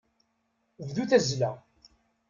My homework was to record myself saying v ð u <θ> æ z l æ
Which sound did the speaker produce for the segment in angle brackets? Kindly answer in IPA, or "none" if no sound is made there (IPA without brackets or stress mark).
θ